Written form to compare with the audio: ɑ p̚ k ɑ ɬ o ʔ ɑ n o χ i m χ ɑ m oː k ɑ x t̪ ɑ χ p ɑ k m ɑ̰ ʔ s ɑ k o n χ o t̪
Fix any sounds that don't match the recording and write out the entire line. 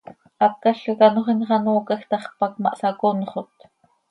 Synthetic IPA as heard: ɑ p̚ k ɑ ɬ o k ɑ n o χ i n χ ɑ n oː k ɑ x t̪ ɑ χ p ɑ k m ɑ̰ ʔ s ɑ k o n χ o t̪